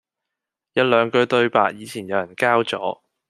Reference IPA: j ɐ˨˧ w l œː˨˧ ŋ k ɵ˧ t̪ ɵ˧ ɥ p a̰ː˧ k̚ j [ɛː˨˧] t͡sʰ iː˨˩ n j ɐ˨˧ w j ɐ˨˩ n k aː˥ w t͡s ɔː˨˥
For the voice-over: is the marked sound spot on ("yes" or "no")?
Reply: no